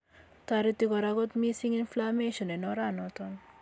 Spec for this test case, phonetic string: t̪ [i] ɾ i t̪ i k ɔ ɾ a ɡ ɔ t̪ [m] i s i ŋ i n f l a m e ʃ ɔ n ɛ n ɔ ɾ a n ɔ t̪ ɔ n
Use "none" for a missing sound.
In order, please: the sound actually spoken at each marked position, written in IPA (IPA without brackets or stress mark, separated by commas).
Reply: a, m